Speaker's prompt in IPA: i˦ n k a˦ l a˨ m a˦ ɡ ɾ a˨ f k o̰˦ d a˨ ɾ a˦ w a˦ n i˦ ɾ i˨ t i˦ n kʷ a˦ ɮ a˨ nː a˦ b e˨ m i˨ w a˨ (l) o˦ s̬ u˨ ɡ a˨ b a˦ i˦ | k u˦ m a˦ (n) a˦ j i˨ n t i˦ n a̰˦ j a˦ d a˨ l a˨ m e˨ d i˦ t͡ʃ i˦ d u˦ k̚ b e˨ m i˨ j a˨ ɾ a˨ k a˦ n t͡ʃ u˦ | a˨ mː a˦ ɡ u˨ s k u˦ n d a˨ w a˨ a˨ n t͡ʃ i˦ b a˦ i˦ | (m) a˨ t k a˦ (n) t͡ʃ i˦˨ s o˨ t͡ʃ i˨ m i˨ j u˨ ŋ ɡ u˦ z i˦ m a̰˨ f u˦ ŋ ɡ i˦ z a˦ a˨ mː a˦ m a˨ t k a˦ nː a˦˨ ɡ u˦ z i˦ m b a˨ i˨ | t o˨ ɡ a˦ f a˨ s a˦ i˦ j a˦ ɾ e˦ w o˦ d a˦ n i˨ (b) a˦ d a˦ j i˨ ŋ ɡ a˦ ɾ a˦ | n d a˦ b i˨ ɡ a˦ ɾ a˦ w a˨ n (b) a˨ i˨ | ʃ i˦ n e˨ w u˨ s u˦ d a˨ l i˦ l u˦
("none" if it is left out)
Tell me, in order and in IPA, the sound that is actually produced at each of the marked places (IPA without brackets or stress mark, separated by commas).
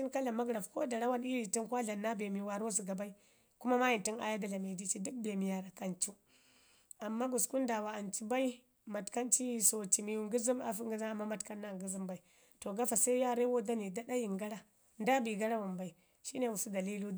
ɾ, m, m, n, d, b